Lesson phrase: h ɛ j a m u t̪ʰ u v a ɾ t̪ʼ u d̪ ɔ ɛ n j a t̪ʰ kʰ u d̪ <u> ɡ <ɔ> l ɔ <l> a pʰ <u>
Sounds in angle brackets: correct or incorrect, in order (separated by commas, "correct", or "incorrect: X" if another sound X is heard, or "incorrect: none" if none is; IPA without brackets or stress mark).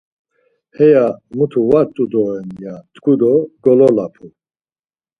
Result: incorrect: ɔ, correct, correct, correct